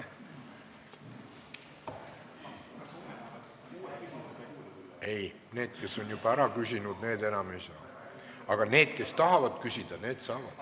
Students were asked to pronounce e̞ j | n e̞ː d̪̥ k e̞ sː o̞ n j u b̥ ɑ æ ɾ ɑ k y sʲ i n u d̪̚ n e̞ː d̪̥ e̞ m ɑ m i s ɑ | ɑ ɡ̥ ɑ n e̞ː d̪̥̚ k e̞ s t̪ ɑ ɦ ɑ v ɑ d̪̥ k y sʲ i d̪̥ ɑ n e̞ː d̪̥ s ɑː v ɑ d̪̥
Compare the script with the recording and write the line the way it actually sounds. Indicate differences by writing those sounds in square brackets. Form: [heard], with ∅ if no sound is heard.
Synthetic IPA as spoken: e̞ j | n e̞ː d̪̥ k e̞ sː o̞ n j u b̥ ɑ æ ɾ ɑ k y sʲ i n u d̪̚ n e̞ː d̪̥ e̞ [n] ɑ m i s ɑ | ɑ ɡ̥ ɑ n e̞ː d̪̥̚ k e̞ s t̪ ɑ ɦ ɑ v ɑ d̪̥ k y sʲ i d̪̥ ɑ n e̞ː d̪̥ s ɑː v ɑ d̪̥